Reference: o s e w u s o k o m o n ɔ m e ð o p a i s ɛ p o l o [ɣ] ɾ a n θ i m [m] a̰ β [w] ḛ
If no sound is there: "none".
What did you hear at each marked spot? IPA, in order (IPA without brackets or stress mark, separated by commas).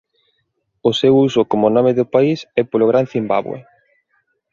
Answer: ɣ, b, w